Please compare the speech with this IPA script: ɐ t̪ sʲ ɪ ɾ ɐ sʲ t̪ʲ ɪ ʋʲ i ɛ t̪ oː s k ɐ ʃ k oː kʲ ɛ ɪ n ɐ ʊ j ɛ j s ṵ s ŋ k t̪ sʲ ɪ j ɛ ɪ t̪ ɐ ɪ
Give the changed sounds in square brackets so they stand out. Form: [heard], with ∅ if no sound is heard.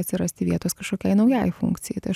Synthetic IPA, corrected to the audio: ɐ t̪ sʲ ɪ ɾ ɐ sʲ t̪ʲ ɪ ʋʲ i ɛ t̪ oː s k ɐ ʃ k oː kʲ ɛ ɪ n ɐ ʊ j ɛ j [f] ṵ [∅] ŋ k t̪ sʲ ɪ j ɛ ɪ t̪ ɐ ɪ